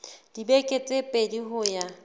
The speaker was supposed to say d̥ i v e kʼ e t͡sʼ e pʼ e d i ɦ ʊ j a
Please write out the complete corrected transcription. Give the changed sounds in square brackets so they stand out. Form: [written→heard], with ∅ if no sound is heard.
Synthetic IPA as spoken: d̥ i [v→b] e kʼ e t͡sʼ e pʼ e d i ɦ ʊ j a